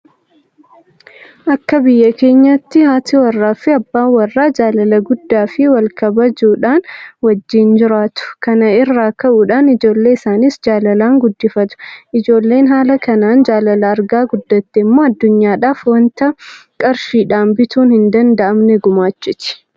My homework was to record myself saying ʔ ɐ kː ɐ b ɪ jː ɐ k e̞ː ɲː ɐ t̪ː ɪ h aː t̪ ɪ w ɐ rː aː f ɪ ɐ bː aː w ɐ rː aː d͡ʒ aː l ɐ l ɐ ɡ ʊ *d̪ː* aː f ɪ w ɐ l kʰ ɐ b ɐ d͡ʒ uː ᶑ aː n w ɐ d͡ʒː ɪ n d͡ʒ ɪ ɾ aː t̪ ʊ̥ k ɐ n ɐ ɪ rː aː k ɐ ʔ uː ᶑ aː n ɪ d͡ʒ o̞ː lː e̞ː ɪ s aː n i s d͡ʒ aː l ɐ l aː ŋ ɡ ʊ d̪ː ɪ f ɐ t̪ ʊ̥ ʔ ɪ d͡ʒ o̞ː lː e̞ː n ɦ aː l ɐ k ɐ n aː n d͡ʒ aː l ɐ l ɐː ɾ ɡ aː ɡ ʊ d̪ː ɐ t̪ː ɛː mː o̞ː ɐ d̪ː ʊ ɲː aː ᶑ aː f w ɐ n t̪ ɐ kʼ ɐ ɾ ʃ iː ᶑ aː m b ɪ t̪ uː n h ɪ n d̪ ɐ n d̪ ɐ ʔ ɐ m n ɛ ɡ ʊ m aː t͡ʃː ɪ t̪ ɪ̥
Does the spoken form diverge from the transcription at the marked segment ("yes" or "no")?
no